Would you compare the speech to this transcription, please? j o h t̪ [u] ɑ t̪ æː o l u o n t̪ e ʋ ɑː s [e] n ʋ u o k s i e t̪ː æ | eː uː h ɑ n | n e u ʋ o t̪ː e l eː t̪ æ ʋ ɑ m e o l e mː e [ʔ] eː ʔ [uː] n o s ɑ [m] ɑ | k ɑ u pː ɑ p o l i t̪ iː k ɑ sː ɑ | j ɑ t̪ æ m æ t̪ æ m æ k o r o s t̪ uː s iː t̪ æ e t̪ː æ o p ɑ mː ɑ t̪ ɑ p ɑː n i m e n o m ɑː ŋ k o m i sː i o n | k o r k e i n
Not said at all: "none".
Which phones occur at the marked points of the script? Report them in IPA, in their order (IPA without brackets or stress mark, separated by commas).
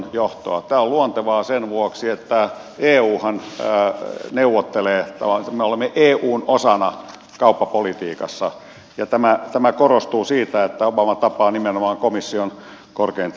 o, e, ʔ, uː, n